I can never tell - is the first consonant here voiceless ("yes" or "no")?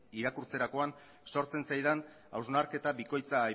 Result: no